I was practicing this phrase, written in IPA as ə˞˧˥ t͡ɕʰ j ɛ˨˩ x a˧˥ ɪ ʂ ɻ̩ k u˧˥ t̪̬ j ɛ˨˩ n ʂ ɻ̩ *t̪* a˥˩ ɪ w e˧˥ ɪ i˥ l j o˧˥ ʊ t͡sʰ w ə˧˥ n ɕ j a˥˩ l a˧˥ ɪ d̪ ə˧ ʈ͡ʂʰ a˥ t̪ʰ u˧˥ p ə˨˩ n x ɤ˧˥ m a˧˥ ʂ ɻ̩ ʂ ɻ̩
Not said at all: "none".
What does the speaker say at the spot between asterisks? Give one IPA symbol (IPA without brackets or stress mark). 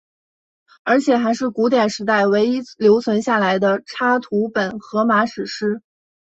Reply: t̪